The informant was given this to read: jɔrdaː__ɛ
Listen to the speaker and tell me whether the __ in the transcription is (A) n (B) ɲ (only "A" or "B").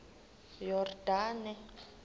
A